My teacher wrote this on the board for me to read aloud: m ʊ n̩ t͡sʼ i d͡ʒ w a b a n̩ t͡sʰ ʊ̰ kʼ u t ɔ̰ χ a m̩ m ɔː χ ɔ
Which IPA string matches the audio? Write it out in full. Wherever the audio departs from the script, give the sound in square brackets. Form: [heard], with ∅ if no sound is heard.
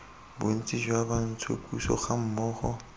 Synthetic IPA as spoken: [b] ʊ n̩ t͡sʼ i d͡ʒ w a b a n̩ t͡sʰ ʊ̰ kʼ u [s] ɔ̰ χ a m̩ m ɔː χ ɔ